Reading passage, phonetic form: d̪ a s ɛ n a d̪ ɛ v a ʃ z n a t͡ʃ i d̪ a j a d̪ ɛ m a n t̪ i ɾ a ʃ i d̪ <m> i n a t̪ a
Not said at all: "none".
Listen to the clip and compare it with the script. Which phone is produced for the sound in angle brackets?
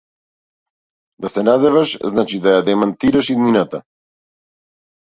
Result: n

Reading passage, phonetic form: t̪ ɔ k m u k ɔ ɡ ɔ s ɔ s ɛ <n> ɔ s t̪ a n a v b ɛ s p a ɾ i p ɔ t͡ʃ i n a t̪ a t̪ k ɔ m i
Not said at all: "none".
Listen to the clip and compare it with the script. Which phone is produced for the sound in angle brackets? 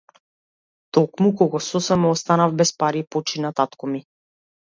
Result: m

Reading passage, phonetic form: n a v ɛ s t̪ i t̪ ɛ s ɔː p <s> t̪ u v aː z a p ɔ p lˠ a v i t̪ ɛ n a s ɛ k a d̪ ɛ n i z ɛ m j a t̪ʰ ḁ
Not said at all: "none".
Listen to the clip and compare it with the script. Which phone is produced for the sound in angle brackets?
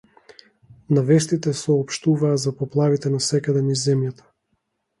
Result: ʃ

